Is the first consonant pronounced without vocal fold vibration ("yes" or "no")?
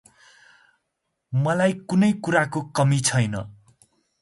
no